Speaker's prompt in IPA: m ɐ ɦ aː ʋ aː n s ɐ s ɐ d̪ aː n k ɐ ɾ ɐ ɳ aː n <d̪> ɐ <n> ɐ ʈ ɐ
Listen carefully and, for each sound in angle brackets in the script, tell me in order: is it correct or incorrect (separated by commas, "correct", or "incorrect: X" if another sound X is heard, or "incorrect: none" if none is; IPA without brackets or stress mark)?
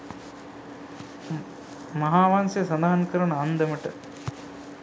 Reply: correct, incorrect: m